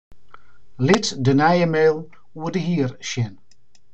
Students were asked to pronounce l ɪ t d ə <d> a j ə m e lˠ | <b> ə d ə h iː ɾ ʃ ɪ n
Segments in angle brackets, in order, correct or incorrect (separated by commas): incorrect, incorrect